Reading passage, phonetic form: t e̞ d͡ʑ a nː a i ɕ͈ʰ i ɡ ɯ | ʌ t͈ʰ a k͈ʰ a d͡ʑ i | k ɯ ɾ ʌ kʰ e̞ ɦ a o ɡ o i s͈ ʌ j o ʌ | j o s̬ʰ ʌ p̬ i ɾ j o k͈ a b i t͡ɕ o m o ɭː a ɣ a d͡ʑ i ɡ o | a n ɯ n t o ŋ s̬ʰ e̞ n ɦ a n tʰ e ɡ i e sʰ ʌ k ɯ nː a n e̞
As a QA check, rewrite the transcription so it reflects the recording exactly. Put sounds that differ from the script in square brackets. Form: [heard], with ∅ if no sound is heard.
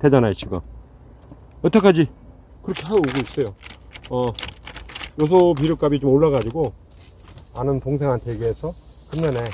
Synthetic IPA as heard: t e̞ d͡ʑ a [n] a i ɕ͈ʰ i ɡ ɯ | ʌ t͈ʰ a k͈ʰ a d͡ʑ i | k ɯ ɾ ʌ kʰ e̞ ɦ a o ɡ o i s͈ ʌ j o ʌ | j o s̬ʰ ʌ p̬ i ɾ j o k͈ a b i t͡ɕ o m o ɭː a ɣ a d͡ʑ i ɡ o | a n ɯ n t o ŋ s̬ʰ e̞ [ŋ] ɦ a n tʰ e ɡ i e sʰ ʌ k ɯ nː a n e̞